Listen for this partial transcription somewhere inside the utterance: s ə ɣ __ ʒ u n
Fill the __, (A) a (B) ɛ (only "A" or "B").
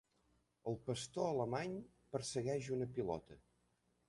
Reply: B